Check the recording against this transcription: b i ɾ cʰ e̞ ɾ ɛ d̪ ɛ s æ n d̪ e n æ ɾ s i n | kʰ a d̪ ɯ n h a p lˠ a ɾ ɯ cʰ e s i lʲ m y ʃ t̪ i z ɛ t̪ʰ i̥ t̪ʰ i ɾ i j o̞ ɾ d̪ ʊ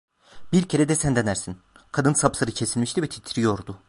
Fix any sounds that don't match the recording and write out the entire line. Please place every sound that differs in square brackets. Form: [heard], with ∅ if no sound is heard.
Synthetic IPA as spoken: b i ɾ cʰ e̞ ɾ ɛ d̪ ɛ s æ n d̪ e n æ ɾ s i n | kʰ a d̪ ɯ n [s] a p lˠ a ɾ ɯ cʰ e s i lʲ m [i] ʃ t̪ i [v] ɛ t̪ʰ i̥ t̪ʰ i ɾ i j o̞ ɾ d̪ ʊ